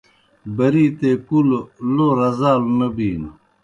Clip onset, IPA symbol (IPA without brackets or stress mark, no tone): b